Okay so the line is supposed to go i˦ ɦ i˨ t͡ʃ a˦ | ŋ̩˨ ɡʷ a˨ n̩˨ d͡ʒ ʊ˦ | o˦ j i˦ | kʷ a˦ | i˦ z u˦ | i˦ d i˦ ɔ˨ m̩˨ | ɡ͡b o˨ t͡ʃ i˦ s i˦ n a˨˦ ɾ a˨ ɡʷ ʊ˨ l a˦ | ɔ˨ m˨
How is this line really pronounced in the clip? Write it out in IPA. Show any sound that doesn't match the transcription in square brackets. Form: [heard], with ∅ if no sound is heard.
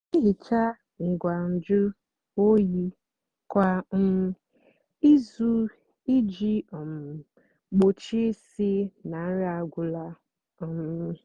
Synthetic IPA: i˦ ɦ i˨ t͡ʃ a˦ | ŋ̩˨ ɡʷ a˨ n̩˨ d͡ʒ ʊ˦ | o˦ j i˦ | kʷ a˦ | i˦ z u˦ | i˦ [d͡ʒ] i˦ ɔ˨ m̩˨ | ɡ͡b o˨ t͡ʃ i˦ s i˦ n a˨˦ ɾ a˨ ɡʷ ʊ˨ l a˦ | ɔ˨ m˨